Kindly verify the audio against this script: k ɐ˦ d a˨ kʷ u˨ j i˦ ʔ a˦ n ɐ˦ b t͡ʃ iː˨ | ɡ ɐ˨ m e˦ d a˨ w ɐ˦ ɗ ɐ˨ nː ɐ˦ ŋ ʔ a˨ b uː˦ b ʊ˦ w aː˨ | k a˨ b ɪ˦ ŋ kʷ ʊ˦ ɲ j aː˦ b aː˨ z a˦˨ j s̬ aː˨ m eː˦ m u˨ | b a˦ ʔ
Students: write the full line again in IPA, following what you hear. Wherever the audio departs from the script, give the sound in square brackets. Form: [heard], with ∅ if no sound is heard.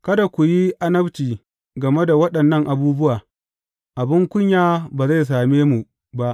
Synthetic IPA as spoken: k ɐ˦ d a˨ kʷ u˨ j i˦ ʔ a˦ n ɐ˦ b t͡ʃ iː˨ | ɡ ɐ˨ m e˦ d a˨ w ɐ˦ ɗ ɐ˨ nː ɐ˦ ŋ ʔ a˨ b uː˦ b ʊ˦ w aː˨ | [ʔ] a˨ b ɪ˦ ŋ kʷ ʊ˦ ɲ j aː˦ b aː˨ z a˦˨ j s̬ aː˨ m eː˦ m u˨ | b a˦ ʔ